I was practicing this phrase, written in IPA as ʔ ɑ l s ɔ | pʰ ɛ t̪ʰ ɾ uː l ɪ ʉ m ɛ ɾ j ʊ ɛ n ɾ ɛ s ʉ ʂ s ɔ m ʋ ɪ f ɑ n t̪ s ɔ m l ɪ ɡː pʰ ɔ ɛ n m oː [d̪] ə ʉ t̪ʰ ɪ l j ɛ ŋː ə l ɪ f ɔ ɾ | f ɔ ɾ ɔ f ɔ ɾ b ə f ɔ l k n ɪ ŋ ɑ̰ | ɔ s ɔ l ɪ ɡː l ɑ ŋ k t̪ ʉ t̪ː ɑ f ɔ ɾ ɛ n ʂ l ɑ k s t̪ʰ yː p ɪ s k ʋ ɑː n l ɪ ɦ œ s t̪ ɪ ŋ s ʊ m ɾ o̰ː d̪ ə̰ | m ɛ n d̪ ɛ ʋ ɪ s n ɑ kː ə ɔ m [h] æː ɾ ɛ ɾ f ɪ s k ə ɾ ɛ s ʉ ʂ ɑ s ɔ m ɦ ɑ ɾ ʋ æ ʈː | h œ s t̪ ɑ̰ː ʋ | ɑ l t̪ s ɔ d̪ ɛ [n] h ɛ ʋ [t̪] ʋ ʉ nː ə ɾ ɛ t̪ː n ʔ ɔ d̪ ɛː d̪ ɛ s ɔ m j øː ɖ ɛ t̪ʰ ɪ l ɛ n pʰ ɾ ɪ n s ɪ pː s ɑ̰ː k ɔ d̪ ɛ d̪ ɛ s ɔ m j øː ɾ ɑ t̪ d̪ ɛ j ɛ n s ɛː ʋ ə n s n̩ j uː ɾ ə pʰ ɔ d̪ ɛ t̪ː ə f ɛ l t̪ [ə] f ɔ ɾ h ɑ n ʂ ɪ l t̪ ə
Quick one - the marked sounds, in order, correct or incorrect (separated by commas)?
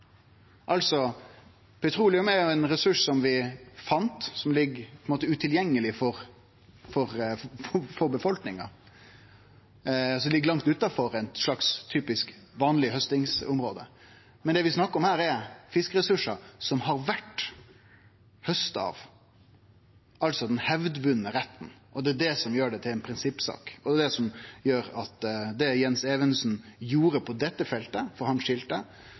incorrect, correct, correct, incorrect, correct